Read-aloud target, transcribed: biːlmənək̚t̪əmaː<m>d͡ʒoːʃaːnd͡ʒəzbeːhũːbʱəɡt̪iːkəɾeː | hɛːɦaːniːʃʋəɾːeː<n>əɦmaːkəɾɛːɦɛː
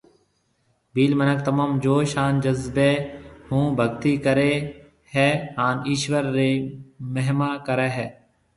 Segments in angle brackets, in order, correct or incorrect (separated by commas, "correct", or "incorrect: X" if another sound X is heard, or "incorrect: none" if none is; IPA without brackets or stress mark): correct, incorrect: m